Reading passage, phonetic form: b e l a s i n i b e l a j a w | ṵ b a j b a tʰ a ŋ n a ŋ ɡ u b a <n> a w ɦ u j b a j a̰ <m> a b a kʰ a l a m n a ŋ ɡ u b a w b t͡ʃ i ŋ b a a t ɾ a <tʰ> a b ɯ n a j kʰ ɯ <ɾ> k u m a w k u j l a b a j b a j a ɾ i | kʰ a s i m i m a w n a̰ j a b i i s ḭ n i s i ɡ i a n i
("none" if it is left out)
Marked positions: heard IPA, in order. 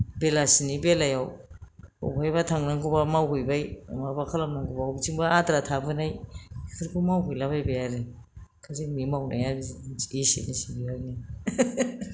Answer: m, m, tʰ, ɾ

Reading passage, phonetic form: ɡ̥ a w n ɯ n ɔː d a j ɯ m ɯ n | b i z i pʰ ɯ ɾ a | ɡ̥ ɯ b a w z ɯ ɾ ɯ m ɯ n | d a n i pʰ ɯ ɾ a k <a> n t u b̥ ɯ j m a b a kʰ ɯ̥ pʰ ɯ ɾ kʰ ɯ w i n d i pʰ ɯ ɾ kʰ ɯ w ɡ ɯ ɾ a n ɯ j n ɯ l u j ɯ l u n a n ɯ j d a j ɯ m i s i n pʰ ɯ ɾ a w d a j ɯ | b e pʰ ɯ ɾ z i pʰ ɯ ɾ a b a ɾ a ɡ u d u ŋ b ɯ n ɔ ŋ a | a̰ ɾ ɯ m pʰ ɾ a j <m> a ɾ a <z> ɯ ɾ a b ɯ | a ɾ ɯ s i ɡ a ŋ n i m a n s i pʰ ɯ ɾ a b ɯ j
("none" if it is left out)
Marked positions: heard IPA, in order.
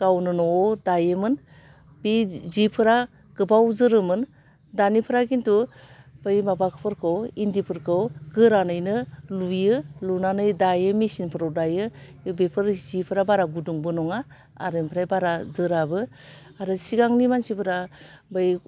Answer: i, b, z

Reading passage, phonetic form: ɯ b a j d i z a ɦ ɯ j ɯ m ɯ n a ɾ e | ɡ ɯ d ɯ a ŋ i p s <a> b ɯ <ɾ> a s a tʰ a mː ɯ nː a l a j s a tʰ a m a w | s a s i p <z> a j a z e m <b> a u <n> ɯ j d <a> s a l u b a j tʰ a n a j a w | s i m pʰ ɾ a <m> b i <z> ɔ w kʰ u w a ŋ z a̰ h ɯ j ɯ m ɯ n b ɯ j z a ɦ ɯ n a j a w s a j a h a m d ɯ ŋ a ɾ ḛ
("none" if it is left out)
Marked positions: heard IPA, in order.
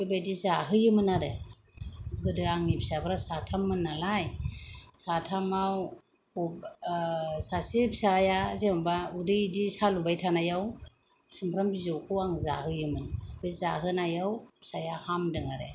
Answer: a, ɾ, s, b, d, i, m, z

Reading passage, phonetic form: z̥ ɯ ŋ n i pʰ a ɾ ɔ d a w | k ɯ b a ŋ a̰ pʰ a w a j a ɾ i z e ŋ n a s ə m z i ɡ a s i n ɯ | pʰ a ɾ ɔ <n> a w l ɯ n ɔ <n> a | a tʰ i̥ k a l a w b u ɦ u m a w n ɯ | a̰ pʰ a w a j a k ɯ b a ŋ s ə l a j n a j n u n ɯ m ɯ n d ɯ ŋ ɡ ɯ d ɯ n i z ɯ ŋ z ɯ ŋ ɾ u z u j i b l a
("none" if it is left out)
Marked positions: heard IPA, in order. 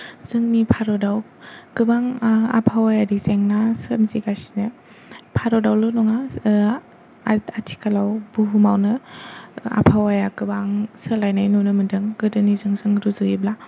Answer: d, ŋ

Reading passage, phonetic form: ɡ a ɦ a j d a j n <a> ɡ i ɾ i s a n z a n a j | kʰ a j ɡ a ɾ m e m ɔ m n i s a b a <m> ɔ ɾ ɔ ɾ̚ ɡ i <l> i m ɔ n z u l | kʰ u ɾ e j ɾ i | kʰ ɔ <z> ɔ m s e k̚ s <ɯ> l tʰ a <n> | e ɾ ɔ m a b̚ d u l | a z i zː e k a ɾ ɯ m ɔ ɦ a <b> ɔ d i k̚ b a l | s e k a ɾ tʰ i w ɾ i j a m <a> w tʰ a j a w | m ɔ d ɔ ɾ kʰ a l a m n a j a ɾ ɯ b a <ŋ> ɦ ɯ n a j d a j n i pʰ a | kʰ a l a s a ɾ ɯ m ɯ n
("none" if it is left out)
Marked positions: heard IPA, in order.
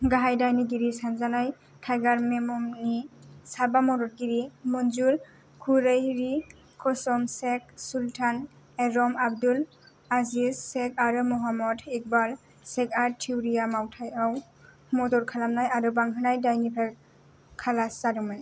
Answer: i, m, ɾ, s, u, n, m, a, ŋ

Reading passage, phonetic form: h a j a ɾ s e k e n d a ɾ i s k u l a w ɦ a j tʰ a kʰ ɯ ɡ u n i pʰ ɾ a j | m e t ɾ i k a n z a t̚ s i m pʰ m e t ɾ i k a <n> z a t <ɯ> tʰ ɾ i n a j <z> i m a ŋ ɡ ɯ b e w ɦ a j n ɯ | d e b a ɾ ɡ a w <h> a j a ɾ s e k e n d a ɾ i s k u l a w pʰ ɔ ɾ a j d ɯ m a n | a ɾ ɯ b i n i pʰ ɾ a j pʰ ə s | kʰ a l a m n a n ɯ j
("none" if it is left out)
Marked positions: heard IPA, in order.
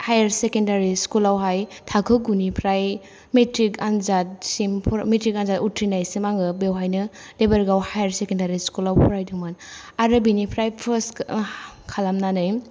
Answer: n, u, s, h

